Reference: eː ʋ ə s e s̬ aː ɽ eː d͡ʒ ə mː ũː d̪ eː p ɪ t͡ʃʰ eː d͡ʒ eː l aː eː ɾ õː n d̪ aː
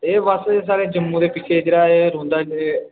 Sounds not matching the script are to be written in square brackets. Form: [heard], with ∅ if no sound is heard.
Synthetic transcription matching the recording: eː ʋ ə s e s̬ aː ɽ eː d͡ʒ ə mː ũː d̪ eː p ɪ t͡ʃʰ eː d͡ʒ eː [ɽ] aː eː ɾ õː n d̪ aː